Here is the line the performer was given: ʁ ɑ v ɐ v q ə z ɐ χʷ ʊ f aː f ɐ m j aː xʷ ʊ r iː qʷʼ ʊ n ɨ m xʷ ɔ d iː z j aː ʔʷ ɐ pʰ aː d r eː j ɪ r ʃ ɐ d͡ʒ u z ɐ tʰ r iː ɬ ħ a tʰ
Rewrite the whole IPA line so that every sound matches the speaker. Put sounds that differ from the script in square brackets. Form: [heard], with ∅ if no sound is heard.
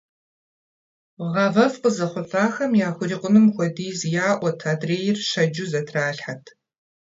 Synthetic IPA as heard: ʁ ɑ v ɐ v q ə z ɐ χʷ ʊ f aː [x] ɐ m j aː xʷ ʊ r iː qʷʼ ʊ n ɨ m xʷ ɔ d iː z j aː ʔʷ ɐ [tʰ] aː d r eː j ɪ r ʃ ɐ d͡ʒ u z ɐ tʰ r [aː] ɬ ħ a tʰ